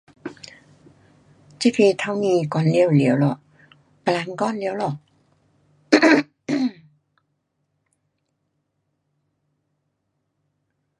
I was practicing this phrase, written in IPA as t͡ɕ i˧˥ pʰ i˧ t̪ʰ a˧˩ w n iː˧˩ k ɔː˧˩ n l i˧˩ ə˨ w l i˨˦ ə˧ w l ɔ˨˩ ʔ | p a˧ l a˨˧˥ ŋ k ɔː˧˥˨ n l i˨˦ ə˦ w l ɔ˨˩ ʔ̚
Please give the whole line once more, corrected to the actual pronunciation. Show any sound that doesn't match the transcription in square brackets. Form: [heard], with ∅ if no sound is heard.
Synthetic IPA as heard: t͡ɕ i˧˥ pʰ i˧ t̪ʰ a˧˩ w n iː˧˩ k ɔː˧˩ n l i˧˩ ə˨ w l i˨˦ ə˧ w l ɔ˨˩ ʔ | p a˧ l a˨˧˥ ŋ k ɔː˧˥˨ n l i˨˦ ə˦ w l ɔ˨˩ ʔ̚